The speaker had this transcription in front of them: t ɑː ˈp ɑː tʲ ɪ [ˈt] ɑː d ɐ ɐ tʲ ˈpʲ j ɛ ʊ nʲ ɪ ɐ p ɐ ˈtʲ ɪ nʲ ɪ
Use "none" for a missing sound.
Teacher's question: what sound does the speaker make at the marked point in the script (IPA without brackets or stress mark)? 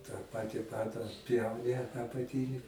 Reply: p